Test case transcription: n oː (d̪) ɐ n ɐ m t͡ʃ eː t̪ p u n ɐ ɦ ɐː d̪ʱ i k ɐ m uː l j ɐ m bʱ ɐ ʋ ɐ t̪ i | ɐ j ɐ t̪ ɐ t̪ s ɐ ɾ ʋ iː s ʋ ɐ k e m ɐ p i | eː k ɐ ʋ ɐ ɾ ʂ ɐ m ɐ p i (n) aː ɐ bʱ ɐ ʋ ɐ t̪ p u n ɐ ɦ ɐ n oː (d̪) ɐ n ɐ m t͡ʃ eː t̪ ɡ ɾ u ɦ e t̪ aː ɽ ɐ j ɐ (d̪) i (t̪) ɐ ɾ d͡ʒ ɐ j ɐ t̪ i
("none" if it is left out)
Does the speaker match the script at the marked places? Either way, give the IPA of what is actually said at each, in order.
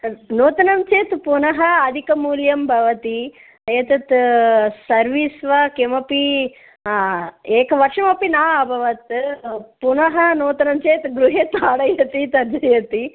t̪, n, t̪, t̪, t̪

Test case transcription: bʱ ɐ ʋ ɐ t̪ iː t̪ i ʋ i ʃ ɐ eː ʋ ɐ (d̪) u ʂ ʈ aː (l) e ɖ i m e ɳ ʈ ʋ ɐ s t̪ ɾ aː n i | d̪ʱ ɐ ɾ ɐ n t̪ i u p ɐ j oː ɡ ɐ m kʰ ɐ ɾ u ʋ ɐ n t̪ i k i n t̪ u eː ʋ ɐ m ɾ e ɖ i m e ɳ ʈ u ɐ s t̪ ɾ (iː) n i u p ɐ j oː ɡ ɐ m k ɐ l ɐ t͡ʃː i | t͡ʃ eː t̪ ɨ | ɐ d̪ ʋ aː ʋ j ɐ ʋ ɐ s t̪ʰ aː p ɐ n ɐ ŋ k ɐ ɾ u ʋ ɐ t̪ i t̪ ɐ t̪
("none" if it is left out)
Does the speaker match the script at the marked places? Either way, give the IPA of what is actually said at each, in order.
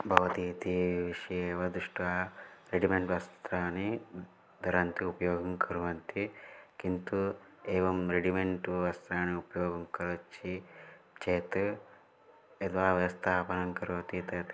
d̪, ɾ, aː

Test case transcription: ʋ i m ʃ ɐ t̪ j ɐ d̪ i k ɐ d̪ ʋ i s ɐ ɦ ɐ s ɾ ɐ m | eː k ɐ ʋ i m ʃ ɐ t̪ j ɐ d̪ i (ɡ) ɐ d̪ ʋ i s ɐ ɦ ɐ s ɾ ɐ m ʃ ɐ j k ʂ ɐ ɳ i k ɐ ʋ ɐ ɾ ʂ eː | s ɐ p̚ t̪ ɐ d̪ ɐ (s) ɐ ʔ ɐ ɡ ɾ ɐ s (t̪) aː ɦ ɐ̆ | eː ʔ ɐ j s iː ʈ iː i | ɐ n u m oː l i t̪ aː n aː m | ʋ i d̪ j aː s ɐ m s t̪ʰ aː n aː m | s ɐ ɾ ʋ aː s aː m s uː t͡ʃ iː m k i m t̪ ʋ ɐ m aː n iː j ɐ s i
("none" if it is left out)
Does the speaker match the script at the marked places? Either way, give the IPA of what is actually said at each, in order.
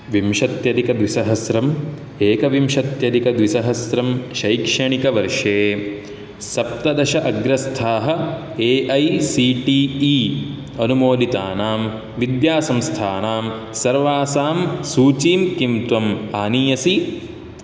k, ʃ, t̪ʰ

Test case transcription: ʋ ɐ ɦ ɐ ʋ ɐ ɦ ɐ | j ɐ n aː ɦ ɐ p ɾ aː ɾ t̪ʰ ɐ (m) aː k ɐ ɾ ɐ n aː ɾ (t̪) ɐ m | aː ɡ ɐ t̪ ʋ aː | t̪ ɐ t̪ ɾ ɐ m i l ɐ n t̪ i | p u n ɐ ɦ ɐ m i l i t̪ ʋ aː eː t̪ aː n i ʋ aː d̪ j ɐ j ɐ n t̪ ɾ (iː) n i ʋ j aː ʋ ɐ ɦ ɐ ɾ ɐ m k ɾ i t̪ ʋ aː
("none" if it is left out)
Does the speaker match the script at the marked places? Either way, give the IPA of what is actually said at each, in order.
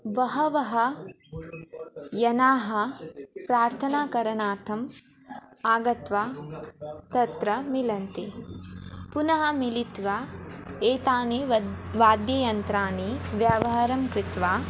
n, t̪ʰ, aː

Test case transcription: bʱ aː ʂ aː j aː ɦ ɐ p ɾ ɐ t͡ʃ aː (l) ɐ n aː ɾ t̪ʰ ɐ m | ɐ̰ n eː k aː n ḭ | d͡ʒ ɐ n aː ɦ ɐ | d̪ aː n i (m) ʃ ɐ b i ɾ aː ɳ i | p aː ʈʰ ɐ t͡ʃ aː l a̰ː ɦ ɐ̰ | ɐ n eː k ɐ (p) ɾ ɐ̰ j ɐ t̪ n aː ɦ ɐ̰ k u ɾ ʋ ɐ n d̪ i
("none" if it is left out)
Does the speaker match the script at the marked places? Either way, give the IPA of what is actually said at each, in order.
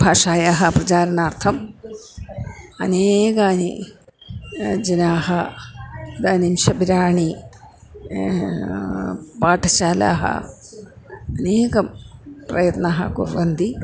ɾ, m, p

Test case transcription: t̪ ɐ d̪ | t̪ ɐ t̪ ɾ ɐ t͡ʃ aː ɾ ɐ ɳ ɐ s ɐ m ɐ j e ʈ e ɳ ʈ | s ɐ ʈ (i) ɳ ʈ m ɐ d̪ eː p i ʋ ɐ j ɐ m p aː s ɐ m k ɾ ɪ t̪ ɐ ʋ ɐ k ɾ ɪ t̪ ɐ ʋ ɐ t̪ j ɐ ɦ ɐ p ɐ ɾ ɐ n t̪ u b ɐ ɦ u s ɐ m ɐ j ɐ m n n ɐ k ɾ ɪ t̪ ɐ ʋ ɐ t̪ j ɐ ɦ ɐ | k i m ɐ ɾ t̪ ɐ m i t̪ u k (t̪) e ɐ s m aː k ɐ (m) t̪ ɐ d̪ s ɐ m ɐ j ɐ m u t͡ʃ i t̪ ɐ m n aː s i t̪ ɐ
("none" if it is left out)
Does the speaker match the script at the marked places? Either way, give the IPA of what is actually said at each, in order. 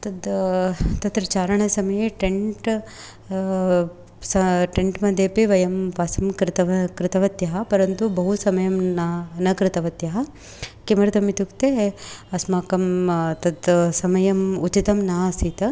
e, t̪, m

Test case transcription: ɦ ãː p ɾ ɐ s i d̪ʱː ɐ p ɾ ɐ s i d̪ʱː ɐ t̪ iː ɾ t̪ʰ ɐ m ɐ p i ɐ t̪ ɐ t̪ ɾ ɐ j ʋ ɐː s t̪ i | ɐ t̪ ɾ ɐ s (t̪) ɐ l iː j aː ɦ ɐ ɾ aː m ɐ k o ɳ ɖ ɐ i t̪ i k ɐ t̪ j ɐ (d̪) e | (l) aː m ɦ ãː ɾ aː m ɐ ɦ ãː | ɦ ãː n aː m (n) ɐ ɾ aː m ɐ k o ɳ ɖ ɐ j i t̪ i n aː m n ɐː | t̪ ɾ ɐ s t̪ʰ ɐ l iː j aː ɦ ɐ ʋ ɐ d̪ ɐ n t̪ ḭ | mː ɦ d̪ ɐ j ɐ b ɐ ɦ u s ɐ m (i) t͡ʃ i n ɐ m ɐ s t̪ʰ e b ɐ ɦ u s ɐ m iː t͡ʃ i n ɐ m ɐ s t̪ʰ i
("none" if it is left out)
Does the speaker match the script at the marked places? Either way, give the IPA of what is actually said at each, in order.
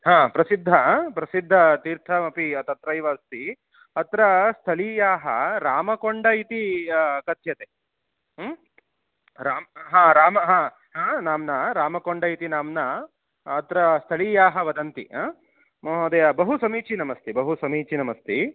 t̪ʰ, t̪, ɾ, n, iː

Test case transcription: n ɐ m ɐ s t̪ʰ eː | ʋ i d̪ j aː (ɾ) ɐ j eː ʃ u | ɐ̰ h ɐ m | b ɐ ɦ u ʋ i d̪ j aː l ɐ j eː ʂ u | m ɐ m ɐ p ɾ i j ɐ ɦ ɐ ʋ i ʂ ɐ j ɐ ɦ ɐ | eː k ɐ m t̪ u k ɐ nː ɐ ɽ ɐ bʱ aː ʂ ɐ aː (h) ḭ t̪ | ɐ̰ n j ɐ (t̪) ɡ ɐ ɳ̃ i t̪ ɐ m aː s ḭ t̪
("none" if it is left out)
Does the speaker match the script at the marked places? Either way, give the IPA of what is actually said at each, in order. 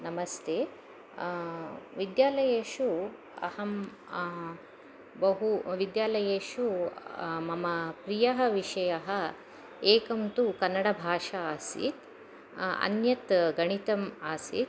l, s, t̪

